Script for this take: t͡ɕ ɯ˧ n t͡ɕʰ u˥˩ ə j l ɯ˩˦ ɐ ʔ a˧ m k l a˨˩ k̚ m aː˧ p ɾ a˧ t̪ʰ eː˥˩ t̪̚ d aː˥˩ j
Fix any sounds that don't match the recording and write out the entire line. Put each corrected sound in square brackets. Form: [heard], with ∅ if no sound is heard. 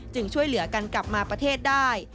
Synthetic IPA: t͡ɕ ɯ˧ [ŋ] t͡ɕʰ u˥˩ ə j l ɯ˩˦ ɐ [k] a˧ [n] k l a˨˩ [p̚] m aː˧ p ɾ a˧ t̪ʰ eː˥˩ t̪̚ d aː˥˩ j